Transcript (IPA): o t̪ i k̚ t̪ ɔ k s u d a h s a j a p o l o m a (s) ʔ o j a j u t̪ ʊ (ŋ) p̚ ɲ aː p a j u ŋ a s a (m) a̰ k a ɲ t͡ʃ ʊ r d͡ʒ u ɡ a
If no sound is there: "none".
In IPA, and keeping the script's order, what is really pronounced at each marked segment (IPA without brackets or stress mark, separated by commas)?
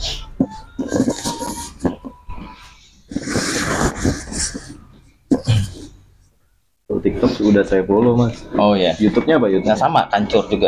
s, none, m